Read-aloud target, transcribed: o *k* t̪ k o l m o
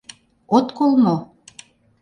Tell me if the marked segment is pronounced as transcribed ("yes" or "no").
no